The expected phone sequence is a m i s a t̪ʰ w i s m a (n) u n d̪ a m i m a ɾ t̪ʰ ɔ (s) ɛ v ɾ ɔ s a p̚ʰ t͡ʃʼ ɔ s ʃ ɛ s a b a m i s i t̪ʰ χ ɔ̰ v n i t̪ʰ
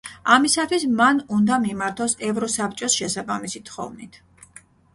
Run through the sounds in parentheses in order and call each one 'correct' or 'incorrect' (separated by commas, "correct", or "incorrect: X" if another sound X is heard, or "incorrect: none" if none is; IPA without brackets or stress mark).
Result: correct, correct